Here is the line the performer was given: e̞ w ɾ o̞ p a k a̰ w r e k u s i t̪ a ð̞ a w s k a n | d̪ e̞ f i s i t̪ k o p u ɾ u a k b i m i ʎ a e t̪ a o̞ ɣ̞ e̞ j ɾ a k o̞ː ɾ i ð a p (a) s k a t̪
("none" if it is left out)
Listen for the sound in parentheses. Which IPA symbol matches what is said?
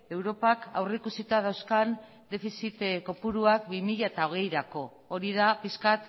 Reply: i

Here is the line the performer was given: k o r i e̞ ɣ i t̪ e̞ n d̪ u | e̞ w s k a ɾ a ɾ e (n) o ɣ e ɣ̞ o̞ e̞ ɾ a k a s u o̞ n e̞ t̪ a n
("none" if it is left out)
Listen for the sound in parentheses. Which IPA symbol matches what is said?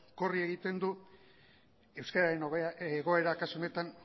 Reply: n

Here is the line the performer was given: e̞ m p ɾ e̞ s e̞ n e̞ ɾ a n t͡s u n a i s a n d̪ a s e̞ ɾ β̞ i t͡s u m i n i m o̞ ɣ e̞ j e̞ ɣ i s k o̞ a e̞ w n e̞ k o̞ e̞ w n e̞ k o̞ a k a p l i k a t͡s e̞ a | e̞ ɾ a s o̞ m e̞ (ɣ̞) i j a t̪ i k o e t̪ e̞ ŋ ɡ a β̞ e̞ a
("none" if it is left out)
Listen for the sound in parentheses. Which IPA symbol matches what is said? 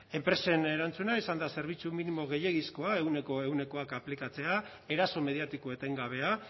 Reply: ð̞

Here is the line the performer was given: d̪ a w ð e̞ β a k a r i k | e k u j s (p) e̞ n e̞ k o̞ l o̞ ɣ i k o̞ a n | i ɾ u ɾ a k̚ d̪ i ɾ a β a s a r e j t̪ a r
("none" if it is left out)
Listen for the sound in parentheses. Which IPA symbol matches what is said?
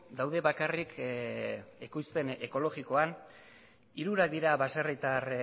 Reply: p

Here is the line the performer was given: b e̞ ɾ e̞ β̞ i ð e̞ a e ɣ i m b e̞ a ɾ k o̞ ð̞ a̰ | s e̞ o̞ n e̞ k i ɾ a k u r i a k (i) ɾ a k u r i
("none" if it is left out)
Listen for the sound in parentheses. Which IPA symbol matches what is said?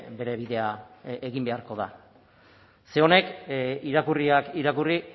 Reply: i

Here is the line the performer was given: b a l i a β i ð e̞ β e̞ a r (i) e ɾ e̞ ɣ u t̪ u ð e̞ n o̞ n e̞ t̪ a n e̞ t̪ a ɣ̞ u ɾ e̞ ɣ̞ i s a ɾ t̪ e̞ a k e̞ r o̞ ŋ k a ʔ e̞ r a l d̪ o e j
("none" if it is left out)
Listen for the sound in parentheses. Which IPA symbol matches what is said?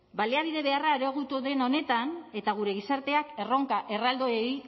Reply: a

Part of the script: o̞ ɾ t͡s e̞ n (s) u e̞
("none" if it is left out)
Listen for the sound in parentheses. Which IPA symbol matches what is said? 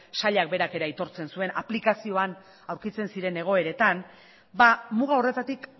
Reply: s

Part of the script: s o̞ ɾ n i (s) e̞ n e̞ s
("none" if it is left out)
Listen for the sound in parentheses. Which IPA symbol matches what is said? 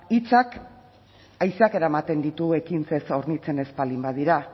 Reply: t͡s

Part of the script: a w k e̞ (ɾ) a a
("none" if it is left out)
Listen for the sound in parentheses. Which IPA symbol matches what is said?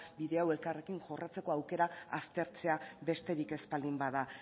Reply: ɾ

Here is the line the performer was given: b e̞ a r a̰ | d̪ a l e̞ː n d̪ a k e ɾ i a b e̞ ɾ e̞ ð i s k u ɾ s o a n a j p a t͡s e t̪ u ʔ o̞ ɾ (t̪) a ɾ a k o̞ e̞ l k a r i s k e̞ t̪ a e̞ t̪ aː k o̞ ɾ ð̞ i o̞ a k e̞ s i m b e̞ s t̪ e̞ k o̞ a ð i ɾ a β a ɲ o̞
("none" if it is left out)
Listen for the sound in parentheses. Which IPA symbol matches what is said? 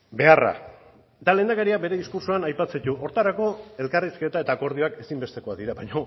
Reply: t̪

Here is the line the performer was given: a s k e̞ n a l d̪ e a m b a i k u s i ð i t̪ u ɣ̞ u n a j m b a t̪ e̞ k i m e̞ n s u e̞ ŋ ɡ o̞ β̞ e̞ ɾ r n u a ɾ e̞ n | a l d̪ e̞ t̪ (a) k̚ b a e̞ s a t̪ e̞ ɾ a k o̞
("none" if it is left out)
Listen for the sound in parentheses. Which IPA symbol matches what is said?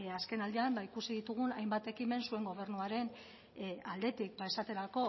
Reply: i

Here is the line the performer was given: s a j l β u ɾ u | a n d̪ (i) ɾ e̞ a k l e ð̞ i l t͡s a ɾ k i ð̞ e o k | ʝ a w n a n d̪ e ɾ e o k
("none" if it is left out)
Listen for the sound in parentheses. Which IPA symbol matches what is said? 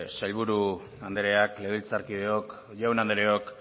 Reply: e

